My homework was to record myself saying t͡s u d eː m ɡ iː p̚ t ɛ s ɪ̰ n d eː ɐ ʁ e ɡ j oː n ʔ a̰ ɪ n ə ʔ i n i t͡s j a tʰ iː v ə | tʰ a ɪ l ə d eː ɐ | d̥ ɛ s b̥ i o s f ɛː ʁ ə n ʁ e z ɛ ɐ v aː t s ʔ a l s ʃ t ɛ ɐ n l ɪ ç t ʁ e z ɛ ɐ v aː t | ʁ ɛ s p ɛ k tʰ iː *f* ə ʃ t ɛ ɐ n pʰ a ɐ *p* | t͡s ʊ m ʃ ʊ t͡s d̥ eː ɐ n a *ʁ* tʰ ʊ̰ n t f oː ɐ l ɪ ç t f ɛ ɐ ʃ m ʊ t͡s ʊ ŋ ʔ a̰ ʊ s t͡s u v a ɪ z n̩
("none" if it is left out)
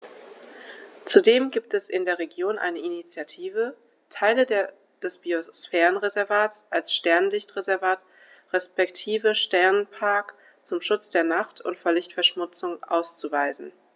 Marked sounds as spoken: v, k, χ

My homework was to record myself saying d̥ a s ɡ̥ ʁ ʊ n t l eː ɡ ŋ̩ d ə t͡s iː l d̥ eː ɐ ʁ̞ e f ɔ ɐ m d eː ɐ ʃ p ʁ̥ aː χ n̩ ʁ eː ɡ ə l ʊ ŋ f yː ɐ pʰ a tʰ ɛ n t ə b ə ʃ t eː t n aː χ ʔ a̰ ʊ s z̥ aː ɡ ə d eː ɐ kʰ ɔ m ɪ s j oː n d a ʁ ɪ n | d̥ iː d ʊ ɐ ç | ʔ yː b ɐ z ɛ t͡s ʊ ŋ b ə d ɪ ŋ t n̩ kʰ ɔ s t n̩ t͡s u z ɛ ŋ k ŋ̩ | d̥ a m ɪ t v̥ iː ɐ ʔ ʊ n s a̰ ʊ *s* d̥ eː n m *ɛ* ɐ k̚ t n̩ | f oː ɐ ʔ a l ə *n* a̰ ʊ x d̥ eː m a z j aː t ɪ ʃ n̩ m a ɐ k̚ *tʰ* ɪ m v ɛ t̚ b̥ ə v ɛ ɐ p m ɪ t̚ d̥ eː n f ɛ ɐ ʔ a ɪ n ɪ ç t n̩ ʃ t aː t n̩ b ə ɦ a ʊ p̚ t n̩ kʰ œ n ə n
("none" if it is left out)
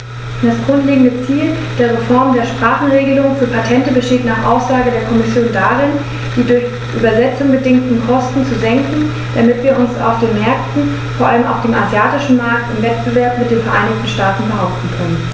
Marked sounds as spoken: f, ɛ, m, t

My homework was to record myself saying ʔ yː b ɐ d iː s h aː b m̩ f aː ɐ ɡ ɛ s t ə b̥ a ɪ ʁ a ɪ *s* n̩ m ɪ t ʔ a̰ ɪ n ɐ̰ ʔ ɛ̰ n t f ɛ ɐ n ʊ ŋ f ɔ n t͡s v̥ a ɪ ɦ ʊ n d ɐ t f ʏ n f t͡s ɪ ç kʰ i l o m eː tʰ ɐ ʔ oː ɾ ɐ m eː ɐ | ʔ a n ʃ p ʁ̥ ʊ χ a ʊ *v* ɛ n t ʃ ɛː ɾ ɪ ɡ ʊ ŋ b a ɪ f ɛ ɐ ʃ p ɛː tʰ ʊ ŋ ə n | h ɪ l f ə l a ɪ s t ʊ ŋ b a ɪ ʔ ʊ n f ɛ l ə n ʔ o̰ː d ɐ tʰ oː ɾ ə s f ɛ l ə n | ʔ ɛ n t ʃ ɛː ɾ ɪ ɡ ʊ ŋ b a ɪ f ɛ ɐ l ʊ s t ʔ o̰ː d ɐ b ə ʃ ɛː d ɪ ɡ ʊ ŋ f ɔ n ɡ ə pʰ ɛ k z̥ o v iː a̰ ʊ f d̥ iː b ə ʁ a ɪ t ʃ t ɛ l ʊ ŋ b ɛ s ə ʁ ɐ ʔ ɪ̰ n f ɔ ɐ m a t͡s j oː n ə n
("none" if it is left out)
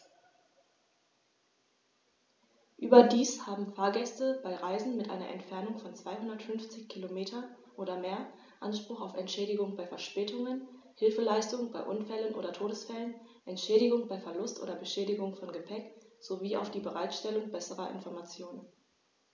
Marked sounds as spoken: z, f

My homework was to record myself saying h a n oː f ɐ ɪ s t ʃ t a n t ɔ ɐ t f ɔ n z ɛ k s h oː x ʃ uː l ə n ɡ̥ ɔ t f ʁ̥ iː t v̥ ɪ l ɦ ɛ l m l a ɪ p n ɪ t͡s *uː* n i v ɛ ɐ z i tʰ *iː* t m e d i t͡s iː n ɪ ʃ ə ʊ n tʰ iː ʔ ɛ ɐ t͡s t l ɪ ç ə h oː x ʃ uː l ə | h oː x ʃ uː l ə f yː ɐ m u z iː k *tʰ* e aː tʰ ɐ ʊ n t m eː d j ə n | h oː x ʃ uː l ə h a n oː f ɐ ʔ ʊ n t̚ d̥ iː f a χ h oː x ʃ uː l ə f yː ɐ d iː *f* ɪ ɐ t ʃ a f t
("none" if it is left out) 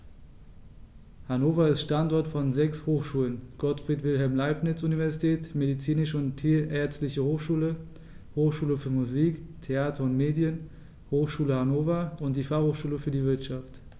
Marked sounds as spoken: u, ɛː, tʰ, v

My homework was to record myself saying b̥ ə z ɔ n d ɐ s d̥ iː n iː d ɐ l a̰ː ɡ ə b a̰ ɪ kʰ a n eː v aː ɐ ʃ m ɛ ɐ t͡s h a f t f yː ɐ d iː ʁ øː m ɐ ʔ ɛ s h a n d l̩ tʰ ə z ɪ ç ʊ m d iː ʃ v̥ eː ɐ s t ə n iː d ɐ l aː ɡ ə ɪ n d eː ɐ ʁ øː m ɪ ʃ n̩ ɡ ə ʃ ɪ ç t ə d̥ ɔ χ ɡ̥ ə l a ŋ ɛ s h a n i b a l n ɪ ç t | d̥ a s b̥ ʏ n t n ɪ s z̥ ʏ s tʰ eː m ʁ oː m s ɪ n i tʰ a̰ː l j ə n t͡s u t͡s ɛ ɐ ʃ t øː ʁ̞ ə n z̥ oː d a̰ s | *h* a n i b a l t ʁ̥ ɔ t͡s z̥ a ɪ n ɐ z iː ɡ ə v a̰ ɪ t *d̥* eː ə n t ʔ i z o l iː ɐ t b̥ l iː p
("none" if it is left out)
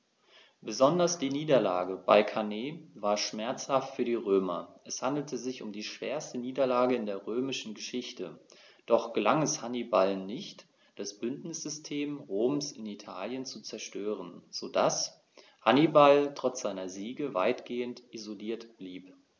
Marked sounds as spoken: h, ɡ̥

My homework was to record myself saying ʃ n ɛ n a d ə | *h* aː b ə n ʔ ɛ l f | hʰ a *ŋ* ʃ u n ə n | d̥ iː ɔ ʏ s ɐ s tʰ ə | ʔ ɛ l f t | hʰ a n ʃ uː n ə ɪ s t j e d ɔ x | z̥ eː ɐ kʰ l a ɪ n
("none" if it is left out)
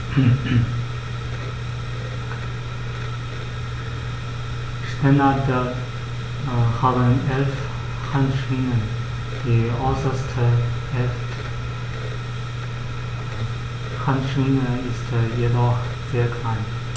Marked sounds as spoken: h, n

